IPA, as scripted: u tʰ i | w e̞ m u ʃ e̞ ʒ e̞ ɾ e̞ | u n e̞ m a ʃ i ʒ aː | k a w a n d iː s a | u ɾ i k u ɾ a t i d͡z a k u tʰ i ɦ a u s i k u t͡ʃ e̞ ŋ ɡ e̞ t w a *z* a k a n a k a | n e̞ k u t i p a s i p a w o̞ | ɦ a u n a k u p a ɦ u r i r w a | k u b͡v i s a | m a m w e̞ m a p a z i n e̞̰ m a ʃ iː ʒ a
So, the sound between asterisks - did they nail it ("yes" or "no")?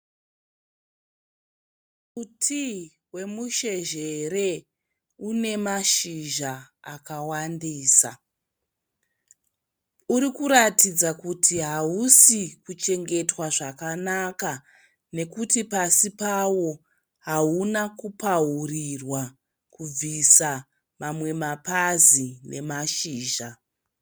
no